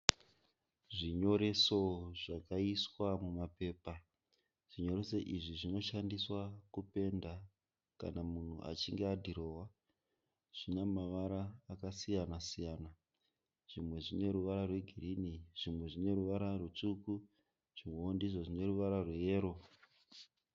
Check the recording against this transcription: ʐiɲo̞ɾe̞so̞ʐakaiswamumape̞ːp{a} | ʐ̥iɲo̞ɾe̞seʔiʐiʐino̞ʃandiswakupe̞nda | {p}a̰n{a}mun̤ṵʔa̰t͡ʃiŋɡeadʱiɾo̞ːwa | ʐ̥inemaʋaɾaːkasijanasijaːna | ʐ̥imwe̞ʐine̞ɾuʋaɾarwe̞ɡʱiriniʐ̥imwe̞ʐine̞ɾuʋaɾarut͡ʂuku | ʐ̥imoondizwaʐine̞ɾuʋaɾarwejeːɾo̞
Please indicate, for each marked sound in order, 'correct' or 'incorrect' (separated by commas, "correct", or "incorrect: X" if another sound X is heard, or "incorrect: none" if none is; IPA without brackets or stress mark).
correct, incorrect: k, correct